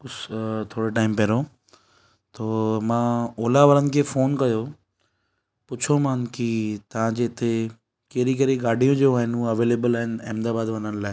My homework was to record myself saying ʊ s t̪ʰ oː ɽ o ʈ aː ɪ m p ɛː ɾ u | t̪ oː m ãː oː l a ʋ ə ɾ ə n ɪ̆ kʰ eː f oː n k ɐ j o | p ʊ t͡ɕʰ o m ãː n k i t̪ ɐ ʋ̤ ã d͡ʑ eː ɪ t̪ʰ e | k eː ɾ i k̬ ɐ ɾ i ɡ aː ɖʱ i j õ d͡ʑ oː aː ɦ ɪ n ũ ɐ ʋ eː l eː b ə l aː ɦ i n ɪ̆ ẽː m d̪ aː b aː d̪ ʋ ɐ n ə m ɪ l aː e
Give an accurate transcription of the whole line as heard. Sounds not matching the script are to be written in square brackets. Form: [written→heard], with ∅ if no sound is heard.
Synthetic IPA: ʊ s t̪ʰ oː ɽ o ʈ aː ɪ m p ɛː ɾ [u→o] | t̪ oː m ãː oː l a ʋ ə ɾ ə n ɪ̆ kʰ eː f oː n k ɐ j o | p ʊ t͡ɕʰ o m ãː n k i t̪ ɐ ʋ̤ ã d͡ʑ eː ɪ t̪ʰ e | k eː ɾ i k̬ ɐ ɾ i ɡ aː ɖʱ i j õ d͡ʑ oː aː ɦ ɪ n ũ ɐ ʋ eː l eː b ə l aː ɦ [i→ɪ] n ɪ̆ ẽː m d̪ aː b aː d̪ ʋ ɐ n ə [m→n] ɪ l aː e